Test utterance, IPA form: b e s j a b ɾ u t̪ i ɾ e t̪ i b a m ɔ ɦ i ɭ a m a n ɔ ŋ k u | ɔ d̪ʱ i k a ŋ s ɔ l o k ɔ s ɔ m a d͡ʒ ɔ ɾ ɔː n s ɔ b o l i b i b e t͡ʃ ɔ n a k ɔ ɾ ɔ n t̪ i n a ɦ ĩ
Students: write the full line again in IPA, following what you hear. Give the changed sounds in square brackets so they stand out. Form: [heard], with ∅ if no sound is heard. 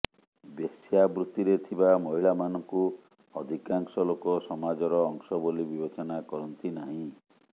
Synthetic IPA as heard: b e s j a b ɾ u t̪ i ɾ e [t̪ʰ] i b a m ɔ ɦ i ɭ a m a n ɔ ŋ k u | ɔ d̪ʱ i k a ŋ s ɔ l o k ɔ s ɔ m a d͡ʒ ɔ ɾ ɔː [ŋ] s ɔ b o l i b i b e t͡ʃ ɔ n a k ɔ ɾ ɔ n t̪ i n a ɦ ĩ